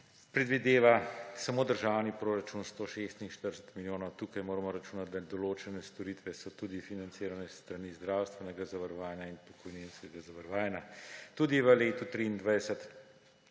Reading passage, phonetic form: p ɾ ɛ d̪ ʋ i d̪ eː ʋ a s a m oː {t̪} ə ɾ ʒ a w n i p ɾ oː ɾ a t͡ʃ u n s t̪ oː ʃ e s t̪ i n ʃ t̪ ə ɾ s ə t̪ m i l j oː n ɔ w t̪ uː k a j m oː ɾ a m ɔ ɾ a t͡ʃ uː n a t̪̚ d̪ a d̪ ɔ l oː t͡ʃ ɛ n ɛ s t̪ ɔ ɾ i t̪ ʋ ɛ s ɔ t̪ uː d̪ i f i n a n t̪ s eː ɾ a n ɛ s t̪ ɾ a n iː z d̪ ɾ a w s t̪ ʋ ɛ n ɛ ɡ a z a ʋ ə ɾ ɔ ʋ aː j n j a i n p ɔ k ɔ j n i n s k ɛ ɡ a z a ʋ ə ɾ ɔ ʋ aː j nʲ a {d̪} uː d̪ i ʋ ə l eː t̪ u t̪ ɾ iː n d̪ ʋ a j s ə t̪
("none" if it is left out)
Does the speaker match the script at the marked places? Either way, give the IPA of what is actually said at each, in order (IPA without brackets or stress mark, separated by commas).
d̪, t̪